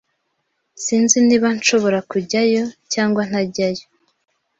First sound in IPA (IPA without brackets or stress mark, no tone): s